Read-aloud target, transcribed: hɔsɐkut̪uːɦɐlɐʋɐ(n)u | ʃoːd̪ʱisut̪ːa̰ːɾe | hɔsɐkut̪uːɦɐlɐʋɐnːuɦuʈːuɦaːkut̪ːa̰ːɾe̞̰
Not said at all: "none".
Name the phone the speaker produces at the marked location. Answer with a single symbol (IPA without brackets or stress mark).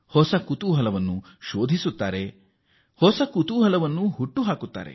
nː